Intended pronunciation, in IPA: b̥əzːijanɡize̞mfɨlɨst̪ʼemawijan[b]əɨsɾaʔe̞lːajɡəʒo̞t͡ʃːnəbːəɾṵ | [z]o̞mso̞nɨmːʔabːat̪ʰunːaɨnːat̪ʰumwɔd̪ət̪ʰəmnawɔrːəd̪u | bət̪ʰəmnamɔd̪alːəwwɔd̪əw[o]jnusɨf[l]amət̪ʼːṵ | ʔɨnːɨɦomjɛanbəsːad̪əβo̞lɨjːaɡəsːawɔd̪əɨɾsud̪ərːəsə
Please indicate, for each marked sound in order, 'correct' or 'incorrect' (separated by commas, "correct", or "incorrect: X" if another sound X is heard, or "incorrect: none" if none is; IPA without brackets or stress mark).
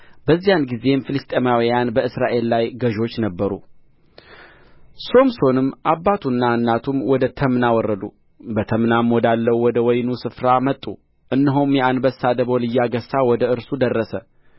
correct, incorrect: s, incorrect: ɔ, incorrect: ɾ